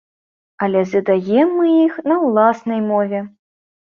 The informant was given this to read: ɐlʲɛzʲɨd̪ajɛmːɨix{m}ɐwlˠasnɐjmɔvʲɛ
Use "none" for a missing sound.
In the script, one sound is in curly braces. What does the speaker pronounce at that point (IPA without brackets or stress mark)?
n